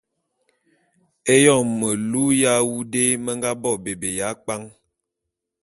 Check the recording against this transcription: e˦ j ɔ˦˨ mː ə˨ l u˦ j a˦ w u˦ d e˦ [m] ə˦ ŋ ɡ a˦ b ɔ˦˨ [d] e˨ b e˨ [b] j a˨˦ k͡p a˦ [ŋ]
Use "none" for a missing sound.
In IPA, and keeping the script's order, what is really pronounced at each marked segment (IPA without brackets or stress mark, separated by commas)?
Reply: m, b, none, ŋ